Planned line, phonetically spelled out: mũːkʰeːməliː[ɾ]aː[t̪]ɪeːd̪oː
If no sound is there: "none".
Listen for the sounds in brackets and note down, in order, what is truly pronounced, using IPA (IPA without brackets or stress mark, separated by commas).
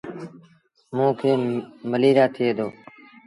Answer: ɾ, t̪ʰ